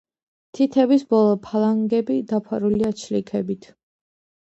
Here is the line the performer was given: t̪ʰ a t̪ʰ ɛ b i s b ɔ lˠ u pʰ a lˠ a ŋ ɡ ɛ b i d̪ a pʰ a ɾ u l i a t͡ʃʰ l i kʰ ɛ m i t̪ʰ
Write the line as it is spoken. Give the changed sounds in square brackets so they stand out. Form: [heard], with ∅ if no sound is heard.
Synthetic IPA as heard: t̪ʰ [i] t̪ʰ ɛ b i s b ɔ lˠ [ɔ] pʰ a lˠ a ŋ ɡ ɛ b i d̪ a pʰ a ɾ u l i a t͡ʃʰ l i kʰ ɛ [b] i t̪ʰ